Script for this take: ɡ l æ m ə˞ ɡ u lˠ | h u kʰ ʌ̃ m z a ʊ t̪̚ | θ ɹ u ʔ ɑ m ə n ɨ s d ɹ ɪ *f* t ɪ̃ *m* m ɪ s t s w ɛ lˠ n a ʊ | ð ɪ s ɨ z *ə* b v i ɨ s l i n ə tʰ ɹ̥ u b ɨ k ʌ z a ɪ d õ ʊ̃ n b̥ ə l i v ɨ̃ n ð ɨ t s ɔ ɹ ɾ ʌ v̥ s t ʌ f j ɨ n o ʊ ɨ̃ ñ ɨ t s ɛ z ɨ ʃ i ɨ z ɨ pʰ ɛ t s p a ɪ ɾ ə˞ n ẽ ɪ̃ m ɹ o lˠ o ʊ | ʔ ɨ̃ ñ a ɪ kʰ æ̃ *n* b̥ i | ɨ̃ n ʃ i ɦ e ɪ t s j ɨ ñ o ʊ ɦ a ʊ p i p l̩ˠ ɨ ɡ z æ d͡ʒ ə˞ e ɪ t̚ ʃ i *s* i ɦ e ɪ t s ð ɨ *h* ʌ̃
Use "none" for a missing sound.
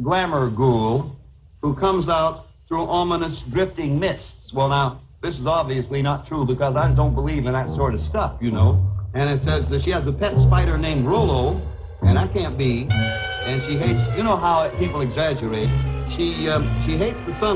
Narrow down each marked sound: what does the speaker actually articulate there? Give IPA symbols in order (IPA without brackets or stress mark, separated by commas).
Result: f, ŋ, ɑ, n, ʃ, s